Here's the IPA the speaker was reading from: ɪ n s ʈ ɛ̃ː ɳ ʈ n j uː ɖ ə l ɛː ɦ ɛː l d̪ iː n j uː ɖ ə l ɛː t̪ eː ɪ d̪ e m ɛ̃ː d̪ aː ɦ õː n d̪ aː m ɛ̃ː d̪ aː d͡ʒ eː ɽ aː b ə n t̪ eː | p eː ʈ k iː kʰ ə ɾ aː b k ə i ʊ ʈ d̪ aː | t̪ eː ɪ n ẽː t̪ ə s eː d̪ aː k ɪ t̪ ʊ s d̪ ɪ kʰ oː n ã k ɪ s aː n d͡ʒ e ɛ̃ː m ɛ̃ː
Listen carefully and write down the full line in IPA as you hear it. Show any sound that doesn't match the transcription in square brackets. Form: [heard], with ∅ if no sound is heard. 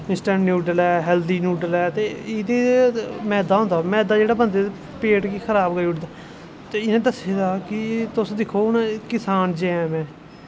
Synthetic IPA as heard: ɪ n s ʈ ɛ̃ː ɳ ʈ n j uː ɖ ə l ɛː ɦ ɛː l d̪ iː n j uː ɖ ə l ɛː t̪ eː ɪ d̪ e m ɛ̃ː d̪ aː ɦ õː n d̪ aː m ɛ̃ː d̪ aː d͡ʒ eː ɽ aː b ə n [d̪] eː | p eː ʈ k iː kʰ ə ɾ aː b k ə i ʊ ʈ d̪ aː | t̪ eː ɪ n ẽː [d̪] ə s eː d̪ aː k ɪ t̪ ʊ s d̪ ɪ kʰ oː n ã k ɪ s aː n d͡ʒ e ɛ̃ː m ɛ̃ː